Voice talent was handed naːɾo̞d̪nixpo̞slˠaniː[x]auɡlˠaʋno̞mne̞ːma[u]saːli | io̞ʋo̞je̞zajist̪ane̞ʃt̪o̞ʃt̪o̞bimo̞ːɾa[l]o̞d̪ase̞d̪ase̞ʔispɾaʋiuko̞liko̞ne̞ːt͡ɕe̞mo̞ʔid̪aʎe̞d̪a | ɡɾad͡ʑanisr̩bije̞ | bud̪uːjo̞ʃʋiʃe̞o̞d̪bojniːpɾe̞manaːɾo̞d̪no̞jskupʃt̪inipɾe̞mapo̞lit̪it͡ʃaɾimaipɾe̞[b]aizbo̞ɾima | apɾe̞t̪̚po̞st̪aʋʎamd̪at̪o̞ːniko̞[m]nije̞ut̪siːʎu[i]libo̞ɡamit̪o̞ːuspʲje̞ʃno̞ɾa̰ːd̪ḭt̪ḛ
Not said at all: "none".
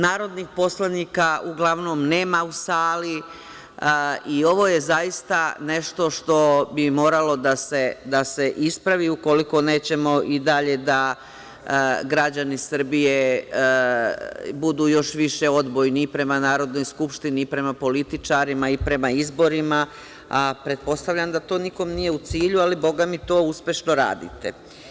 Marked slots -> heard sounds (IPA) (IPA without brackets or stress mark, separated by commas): k, u, l, m, m, a